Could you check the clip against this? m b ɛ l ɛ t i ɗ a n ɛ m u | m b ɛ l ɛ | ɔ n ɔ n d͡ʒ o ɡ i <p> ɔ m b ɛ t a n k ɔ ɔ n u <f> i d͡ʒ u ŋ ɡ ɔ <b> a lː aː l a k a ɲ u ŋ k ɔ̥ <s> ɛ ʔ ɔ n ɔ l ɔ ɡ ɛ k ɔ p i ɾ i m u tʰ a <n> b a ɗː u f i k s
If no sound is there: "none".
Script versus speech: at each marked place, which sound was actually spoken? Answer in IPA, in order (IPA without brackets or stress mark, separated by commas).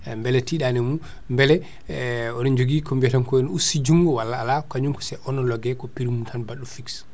k, s, w, s, n